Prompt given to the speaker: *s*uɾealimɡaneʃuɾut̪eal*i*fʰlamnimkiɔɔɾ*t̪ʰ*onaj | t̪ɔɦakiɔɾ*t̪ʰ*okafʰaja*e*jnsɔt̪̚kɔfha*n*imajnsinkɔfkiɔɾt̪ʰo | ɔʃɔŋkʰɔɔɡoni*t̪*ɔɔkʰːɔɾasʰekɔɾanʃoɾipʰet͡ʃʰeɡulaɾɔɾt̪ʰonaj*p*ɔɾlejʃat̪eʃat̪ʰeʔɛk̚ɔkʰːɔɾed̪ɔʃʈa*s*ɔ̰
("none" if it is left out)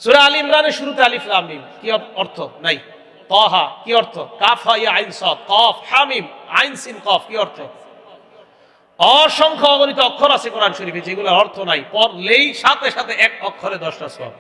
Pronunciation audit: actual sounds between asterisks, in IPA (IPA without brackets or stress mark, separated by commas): s, i, t̪ʰ, t̪ʰ, a, m, t̪, p, s